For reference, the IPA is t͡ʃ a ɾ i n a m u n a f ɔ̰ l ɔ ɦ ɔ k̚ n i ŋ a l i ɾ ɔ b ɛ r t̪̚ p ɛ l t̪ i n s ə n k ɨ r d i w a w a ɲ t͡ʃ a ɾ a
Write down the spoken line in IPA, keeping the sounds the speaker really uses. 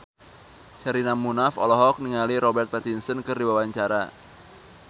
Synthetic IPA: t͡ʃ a ɾ i n a m u n a f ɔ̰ l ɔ ɦ ɔ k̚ n i ŋ a l i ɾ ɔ b ɛ r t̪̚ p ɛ t̪ i n s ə n k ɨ r d i w a w a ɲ t͡ʃ a ɾ a